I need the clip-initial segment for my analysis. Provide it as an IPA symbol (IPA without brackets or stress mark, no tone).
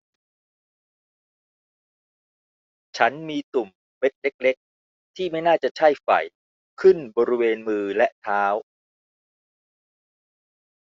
t͡ɕʰ